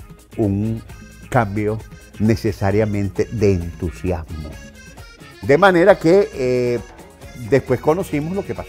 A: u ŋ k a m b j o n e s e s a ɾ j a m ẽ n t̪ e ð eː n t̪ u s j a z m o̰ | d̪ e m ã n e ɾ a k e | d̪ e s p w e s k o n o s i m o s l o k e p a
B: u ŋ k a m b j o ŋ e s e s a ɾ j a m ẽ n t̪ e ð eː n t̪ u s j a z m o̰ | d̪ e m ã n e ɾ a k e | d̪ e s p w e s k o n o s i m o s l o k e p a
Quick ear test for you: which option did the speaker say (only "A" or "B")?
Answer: A